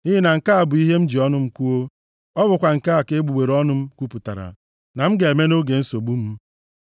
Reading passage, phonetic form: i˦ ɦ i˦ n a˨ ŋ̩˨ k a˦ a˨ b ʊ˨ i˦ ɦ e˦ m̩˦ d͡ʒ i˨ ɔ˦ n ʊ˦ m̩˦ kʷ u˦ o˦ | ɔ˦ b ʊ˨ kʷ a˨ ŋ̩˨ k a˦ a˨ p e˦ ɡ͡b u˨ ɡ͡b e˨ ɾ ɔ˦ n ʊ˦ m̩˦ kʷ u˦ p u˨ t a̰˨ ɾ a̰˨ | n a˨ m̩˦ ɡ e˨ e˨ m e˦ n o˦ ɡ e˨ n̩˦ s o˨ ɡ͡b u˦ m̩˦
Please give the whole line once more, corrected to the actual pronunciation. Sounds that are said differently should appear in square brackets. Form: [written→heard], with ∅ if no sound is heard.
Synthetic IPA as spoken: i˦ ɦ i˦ n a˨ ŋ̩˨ k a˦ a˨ b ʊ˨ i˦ ɦ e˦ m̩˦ d͡ʒ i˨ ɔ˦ n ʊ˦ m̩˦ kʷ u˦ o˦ | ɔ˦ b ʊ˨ kʷ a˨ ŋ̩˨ k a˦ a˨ [p→k] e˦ ɡ͡b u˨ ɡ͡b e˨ ɾ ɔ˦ n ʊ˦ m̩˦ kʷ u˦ p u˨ t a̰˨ ɾ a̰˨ | n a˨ m̩˦ ɡ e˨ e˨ m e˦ n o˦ ɡ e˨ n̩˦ s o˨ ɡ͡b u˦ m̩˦

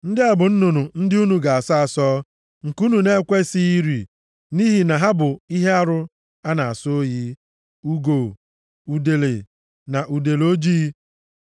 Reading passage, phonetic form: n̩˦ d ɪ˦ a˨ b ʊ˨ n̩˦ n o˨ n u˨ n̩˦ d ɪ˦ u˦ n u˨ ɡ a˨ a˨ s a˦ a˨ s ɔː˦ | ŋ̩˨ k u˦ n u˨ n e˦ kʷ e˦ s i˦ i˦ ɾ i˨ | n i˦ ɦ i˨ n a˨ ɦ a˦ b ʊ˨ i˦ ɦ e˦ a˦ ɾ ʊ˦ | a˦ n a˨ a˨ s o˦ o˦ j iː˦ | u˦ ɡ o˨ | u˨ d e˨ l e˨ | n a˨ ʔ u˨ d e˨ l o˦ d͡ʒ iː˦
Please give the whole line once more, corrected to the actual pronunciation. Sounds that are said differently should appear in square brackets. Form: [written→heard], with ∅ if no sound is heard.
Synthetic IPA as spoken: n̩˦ d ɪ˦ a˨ b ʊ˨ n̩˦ n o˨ n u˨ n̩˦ d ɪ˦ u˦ n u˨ ɡ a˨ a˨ s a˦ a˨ s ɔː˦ | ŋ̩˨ k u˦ n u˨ n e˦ kʷ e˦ s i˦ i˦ ɾ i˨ | n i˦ ɦ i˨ n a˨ ɦ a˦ b ʊ˨ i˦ ɦ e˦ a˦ ɾ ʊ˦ | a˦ n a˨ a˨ s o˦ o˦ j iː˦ | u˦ ɡ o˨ | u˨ d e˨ l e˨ | n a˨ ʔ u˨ d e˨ l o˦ d͡ʒ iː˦

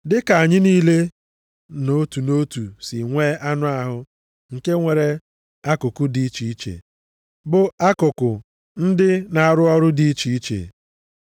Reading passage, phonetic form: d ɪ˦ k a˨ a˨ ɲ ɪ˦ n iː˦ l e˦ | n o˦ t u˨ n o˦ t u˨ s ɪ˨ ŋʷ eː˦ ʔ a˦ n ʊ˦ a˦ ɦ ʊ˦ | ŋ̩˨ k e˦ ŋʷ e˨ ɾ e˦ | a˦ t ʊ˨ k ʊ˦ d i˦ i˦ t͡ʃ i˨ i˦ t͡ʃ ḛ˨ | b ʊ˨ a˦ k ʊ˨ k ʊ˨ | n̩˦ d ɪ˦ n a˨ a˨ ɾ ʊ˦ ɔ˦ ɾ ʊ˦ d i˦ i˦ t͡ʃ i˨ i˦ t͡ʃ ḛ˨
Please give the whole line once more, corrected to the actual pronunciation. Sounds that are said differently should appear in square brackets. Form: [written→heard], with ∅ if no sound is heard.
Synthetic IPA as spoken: d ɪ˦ k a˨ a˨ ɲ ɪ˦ n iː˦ l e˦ | n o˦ t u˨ n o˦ t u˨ s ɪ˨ ŋʷ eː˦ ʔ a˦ n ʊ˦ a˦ ɦ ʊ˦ | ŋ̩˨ k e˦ ŋʷ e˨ ɾ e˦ | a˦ [t→k] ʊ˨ k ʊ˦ d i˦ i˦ t͡ʃ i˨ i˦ t͡ʃ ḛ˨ | b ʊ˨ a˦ k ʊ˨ k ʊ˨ | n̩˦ d ɪ˦ n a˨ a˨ ɾ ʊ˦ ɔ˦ ɾ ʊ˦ d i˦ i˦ t͡ʃ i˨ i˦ t͡ʃ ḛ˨

